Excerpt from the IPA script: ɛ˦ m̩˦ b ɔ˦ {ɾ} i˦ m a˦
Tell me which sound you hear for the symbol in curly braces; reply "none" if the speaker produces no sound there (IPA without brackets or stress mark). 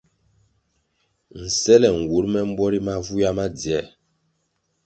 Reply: ɾ